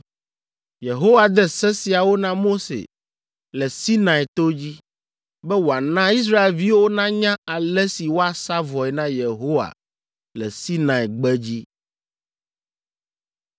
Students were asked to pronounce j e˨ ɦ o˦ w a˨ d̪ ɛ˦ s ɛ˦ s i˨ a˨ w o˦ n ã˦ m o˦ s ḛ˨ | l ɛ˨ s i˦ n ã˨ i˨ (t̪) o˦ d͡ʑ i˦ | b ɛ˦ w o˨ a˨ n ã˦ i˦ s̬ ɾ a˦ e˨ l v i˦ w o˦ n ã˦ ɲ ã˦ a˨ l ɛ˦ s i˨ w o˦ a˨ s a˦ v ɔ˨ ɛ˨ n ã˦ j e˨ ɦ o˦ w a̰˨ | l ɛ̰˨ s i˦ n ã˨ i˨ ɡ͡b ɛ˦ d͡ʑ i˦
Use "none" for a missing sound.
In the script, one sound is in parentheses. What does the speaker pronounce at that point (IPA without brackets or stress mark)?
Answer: t̪